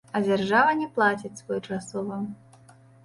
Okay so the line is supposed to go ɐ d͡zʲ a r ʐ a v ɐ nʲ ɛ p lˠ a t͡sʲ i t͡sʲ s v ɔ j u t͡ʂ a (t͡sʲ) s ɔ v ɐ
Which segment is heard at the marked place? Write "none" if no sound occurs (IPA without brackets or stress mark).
none